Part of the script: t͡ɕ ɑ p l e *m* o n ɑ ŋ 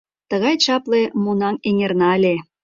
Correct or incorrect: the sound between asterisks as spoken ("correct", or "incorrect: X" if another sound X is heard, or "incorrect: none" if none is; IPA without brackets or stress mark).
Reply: correct